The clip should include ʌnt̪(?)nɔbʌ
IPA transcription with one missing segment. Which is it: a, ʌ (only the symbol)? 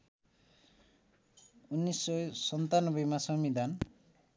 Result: a